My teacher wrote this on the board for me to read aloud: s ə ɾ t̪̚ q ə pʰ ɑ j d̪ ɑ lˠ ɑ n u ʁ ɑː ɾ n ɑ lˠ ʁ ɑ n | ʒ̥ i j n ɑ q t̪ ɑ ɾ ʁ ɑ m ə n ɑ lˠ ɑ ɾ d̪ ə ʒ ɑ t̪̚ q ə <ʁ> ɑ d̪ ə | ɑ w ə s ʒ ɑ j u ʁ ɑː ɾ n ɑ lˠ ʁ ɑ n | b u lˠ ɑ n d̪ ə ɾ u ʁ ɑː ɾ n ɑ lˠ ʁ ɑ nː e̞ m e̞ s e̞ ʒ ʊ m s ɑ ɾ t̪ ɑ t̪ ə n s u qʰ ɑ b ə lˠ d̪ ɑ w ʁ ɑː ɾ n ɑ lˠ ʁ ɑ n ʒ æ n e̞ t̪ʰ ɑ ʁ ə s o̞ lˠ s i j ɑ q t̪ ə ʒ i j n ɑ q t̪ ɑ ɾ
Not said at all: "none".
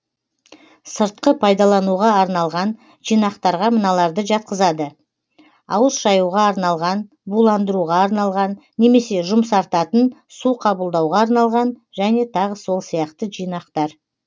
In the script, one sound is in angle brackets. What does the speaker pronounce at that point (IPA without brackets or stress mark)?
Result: z